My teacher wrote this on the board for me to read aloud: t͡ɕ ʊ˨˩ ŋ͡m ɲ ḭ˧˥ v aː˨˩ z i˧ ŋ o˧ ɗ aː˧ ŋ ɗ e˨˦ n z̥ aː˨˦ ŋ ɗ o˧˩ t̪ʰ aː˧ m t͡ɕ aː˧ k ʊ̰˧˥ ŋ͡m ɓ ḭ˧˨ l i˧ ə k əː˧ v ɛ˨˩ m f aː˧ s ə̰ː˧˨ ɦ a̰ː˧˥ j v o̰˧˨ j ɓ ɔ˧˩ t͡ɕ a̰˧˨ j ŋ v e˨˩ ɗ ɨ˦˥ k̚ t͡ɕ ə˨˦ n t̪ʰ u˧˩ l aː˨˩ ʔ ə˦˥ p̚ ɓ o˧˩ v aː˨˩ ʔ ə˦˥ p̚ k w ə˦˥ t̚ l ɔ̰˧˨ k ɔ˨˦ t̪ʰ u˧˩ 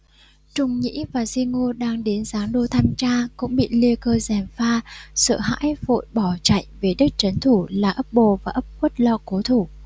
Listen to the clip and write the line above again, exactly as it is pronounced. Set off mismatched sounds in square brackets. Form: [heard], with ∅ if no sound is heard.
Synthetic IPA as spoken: t͡ɕ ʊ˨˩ ŋ͡m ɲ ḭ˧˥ v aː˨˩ z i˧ ŋ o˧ ɗ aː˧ ŋ ɗ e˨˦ n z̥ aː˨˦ ŋ ɗ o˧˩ t̪ʰ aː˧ m t͡ɕ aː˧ k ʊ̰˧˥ ŋ͡m ɓ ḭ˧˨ l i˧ ə k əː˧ [z] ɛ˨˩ m f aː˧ s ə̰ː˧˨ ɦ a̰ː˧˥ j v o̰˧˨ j ɓ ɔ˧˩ t͡ɕ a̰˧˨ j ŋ v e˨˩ ɗ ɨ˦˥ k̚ t͡ɕ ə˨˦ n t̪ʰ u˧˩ l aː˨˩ ʔ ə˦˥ p̚ ɓ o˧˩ v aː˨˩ ʔ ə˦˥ p̚ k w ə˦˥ t̚ l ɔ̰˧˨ k [o˨˦] t̪ʰ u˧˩

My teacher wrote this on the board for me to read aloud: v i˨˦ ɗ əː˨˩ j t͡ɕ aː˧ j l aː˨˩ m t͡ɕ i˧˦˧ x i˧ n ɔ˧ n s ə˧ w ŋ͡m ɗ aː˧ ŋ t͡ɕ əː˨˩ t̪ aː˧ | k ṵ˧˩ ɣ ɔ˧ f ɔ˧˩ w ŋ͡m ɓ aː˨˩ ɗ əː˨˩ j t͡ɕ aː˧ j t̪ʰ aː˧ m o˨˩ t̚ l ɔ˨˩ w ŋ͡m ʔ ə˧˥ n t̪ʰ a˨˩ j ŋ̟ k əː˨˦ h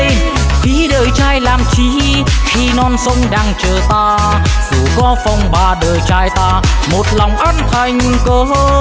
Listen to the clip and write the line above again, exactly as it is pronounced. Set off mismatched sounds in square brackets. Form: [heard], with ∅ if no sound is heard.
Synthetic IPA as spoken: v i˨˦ ɗ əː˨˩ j t͡ɕ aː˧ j l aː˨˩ m t͡ɕ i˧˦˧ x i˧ n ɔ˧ n s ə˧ w ŋ͡m ɗ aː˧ ŋ t͡ɕ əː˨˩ t̪ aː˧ | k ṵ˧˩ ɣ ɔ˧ f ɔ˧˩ w ŋ͡m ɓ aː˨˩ ɗ əː˨˩ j t͡ɕ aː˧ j [t̪] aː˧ m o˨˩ t̚ l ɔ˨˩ w ŋ͡m ʔ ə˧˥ n t̪ʰ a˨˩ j ŋ̟ k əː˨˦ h

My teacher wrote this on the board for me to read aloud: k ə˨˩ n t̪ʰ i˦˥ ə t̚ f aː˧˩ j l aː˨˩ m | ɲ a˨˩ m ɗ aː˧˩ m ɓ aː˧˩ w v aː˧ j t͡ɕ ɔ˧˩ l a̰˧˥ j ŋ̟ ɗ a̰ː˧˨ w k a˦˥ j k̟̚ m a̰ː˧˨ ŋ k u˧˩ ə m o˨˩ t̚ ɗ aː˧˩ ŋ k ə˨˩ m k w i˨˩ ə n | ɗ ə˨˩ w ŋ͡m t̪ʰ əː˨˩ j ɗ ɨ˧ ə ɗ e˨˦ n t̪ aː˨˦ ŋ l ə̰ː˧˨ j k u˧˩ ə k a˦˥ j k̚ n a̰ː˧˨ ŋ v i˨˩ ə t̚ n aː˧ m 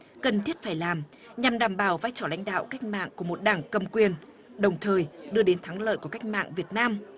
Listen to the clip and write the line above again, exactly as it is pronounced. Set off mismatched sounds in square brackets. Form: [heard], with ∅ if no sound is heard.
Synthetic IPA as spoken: k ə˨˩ n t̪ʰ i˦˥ ə t̚ f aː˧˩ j l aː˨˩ m | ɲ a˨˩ m ɗ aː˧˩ m ɓ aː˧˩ w v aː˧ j t͡ɕ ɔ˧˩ l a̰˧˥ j ŋ̟ ɗ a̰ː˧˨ w k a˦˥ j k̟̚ m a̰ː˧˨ ŋ k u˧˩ ə m o˨˩ t̚ ɗ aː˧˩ ŋ k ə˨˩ m k w i˨˩ ə n | ɗ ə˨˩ w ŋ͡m t̪ʰ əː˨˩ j ɗ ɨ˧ ə ɗ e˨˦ n [t̪ʰ] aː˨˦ ŋ l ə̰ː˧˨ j k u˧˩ ə k a˦˥ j k̚ [m] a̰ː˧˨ ŋ v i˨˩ ə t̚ n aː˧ m

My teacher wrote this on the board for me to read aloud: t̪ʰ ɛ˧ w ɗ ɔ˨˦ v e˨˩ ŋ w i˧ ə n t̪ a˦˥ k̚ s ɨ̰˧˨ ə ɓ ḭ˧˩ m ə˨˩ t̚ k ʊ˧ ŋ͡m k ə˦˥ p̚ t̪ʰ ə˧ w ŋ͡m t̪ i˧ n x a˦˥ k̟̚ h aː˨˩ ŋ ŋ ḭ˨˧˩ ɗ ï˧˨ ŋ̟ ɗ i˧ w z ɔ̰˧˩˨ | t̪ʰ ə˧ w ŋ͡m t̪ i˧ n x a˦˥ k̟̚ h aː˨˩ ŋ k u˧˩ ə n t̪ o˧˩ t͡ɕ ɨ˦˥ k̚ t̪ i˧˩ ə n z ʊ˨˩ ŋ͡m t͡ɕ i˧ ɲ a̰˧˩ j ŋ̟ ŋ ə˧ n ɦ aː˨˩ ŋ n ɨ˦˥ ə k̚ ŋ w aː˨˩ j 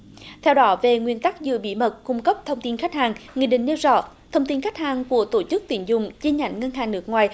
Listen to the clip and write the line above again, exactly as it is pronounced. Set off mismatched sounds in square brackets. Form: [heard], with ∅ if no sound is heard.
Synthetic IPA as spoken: t̪ʰ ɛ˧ w ɗ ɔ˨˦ v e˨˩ ŋ w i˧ ə n t̪ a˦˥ k̚ [z] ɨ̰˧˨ ə ɓ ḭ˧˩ m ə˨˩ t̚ k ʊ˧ ŋ͡m k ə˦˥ p̚ t̪ʰ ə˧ w ŋ͡m t̪ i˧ n x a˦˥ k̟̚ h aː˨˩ ŋ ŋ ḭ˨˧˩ ɗ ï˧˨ ŋ̟ ɗ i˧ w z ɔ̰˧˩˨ | t̪ʰ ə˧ w ŋ͡m t̪ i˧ n x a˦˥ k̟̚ h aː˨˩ ŋ k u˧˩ ə [∅] t̪ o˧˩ t͡ɕ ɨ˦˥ k̚ t̪ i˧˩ ə n z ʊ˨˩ ŋ͡m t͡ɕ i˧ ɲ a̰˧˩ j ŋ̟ ŋ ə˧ n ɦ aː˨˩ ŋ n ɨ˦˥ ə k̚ ŋ w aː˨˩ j

